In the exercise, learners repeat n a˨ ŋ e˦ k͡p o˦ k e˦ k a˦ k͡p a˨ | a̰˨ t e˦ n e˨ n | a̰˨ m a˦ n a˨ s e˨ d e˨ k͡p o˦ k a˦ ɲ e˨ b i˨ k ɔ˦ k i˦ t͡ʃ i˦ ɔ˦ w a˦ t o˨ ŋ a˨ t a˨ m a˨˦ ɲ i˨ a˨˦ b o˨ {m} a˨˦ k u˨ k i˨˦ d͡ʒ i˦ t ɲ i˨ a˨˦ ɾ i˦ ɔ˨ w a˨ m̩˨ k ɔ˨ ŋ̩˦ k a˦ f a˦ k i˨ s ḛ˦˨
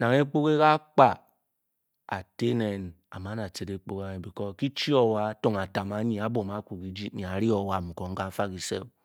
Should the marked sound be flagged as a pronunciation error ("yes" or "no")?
no